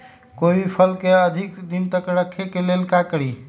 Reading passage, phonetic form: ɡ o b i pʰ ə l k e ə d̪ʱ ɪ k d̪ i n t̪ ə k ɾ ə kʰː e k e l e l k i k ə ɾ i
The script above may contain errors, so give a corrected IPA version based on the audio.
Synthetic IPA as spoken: k o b i pʰ ə l k e ə d̪ʱ i k d̪ i n t̪ ə k ɾ ə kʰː e k e l e l k a k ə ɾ i

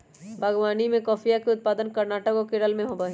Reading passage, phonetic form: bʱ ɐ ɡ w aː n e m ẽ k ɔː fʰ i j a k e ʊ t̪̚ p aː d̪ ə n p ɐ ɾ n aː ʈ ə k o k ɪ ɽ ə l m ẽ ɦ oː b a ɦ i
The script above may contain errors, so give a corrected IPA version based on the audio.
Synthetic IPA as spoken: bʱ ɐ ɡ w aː n i m ẽ k ɔː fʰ i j a k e ʊ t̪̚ p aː d̪ ə n k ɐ ɾ n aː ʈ ə k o k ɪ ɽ ə l m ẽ ɦ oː b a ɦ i

